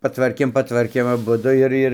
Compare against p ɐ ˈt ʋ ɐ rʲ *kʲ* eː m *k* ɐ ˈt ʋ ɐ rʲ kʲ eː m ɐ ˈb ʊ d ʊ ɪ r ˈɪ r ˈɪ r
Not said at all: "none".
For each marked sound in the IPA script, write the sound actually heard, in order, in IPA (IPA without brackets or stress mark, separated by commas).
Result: kʲ, p